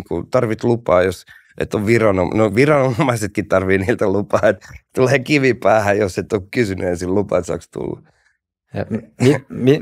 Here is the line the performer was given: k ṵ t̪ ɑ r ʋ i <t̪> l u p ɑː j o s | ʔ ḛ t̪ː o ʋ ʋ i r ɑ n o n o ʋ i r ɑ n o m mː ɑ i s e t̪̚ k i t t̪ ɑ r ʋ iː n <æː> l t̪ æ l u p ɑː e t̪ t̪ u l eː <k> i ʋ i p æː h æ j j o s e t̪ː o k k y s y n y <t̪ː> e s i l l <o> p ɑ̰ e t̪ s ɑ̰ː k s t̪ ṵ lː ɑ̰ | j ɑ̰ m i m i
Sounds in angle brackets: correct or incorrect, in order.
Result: correct, incorrect: iː, correct, incorrect: none, incorrect: u

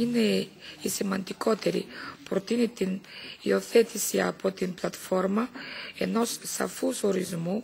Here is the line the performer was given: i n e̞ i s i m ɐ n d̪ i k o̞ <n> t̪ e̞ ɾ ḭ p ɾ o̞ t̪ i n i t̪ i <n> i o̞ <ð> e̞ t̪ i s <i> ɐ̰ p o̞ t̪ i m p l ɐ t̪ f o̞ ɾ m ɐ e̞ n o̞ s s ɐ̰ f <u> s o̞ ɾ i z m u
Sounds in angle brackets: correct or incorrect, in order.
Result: incorrect: none, correct, incorrect: θ, correct, correct

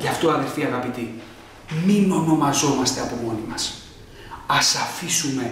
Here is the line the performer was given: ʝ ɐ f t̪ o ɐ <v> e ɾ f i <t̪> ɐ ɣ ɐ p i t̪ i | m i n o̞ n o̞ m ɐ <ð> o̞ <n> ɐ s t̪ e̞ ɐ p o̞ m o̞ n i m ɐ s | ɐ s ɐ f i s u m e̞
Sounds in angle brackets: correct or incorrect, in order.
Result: incorrect: ð, incorrect: none, incorrect: z, incorrect: m

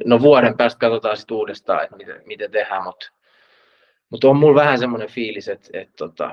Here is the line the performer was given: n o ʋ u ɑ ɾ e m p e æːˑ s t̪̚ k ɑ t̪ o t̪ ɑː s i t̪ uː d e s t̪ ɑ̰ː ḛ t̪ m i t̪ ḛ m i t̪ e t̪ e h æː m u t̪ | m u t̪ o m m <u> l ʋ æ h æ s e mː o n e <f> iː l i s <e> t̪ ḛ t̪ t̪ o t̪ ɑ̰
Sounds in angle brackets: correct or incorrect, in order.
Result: correct, correct, correct

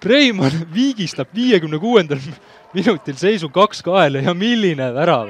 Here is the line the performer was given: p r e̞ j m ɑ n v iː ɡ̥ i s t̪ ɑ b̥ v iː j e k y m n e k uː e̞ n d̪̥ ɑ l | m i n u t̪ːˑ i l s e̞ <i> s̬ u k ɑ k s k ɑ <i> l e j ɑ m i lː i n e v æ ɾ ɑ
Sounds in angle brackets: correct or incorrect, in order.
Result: incorrect: j, incorrect: e

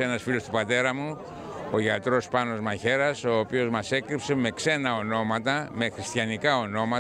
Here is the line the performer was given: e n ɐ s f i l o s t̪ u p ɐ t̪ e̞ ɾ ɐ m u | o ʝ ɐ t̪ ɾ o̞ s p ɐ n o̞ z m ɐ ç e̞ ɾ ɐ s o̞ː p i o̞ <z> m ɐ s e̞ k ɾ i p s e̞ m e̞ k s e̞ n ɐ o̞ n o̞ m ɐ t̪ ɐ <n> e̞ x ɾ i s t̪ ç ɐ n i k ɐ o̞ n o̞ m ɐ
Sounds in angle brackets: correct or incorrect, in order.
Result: correct, incorrect: m

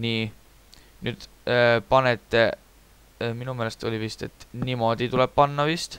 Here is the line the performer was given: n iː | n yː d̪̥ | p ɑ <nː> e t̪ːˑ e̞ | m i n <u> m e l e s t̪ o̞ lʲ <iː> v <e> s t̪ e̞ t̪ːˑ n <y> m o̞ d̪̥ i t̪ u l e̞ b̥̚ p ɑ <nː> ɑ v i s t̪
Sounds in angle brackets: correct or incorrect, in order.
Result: incorrect: n, correct, incorrect: i, incorrect: i, incorrect: i, correct

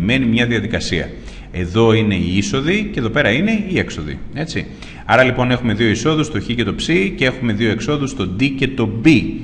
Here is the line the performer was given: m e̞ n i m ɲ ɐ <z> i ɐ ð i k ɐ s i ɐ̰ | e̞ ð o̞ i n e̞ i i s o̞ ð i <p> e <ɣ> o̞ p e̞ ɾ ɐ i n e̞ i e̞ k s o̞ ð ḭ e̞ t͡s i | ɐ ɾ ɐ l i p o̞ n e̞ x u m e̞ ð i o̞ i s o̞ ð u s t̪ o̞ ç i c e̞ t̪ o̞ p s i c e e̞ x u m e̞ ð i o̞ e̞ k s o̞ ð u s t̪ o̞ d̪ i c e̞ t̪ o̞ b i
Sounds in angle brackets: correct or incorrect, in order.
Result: incorrect: ð, incorrect: c, incorrect: ð

